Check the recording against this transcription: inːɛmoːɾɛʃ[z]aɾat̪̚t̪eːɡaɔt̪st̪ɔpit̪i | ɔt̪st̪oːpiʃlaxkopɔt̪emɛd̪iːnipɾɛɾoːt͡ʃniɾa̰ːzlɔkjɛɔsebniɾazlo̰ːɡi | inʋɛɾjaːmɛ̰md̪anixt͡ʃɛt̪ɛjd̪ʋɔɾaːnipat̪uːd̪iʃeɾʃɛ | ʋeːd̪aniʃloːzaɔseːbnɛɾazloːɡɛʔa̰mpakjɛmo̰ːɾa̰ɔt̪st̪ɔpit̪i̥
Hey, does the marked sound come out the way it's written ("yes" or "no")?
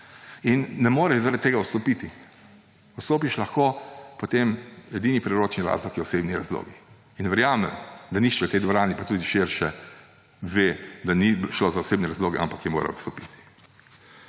yes